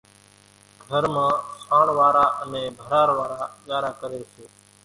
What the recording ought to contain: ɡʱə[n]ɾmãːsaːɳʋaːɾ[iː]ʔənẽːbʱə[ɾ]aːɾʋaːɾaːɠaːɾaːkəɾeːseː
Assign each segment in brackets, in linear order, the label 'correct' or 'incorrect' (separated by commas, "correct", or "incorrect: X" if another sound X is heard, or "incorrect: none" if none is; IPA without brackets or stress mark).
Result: incorrect: none, incorrect: aː, correct